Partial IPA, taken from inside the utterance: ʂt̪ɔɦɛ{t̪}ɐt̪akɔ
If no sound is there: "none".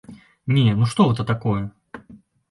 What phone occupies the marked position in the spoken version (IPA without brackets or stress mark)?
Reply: t̪